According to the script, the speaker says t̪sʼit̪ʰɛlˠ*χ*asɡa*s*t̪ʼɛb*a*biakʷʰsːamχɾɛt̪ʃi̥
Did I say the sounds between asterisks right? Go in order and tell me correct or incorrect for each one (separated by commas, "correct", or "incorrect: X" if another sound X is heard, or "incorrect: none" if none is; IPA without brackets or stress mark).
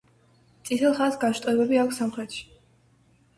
correct, incorrect: ʃ, incorrect: ɛ